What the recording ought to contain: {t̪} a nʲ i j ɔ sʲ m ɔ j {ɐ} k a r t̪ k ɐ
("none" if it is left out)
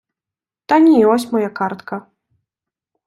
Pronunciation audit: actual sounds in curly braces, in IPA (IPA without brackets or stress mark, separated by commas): t̪, a